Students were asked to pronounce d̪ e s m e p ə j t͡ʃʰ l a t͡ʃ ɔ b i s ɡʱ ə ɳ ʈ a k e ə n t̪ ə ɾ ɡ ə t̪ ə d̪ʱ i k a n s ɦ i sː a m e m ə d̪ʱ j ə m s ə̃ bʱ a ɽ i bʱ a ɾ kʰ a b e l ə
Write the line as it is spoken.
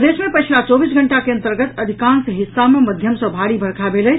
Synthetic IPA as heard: d̪ e s m e p ə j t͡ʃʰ l a t͡ʃ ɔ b i s ɡʱ ə ɳ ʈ a k e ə n t̪ ə ɾ ɡ ə t̪ ə d̪ʱ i k a n s ɦ i sː a m e m ə d̪ʱ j ə m s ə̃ bʱ a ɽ i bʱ ə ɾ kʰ a b e l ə

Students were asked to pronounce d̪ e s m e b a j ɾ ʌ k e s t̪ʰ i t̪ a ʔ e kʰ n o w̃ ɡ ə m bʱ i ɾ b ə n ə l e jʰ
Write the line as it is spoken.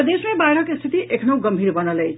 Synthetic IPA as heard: d̪ e s m e b a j ɾ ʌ k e s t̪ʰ i t̪ i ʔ e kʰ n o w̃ ɡ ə m bʱ i ɾ b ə n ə l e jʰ

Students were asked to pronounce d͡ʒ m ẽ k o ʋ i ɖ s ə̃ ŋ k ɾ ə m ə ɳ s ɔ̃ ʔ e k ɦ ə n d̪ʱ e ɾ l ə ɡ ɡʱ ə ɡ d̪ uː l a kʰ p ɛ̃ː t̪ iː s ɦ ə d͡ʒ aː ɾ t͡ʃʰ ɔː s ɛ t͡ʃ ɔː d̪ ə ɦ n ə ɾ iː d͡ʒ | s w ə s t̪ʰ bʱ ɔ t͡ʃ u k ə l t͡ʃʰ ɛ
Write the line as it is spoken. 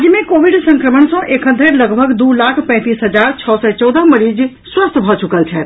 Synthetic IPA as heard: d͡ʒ m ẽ k o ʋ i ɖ s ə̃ ŋ k ɾ ə m ə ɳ s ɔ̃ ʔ e k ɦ ə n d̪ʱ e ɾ l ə ɡ bʱ ə ɡ d̪ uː l a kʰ p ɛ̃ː t̪ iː s ɦ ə d͡ʒ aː ɾ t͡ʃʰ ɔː s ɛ t͡ʃ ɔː d̪ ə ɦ m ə ɾ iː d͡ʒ | s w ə s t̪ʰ bʱ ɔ t͡ʃ u k ə l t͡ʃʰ ɛ

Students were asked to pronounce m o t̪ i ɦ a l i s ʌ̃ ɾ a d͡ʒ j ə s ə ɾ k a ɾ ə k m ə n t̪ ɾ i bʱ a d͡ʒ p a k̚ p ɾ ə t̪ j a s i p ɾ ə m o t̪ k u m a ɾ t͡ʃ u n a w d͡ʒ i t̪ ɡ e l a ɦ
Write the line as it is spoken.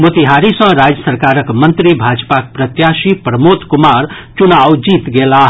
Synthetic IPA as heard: m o t̪ i ɦ a ɾ i s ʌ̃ ɾ a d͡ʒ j ə s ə ɾ k a ɾ ə k m ə n t̪ ɾ i bʱ a d͡ʒ p a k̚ p ɾ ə t̪ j a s i p ɾ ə m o t̪ k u m a ɾ t͡ʃ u n a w d͡ʒ i t̪ ɡ e l a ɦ

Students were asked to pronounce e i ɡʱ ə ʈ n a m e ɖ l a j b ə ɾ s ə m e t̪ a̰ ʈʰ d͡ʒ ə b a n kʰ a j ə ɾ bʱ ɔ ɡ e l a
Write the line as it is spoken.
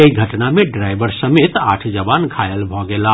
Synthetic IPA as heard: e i ɡʱ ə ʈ n a m e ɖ ɾ a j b ə ɾ s ə m e t̪ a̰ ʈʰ d͡ʒ ə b a n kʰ a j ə l bʱ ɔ ɡ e l a

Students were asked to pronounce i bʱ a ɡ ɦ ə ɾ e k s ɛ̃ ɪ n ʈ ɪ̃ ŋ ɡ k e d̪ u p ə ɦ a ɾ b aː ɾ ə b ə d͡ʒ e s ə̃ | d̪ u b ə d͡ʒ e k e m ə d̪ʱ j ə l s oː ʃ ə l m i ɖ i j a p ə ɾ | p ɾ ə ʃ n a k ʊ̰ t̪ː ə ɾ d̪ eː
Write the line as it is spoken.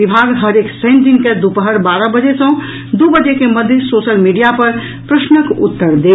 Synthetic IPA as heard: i bʱ a ɡ ɦ ə ɾ e k s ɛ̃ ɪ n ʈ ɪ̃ ŋ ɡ k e d̪ u p ə ɦ ə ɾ b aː ɾ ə b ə d͡ʒ e s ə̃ | d̪ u b ə d͡ʒ e k e m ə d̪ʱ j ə s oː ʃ ə l m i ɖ i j a p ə ɾ | p ɾ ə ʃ n ə k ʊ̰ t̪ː ə ɾ d̪ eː

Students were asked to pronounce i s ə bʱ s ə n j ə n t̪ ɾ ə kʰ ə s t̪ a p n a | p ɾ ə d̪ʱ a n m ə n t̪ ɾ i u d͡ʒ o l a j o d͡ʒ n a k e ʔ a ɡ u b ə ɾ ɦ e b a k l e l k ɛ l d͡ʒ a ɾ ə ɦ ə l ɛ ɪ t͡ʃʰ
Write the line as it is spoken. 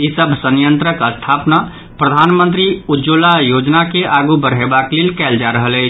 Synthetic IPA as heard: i s ə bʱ s ə n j ə n t̪ ɾ ə k ə s t̪ʰ a p n a | p ɾ ə d̪ʱ a n m ə n t̪ ɾ i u d͡ʒ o l a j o d͡ʒ n a k e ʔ a ɡ u b ə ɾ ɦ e b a k l e l k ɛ l d͡ʒ a ɾ ə ɦ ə l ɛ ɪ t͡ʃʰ

